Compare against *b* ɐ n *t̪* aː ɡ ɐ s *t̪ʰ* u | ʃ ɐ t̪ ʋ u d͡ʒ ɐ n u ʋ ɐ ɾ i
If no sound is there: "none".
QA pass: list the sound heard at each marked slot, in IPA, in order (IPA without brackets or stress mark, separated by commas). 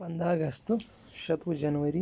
p, d̪, t̪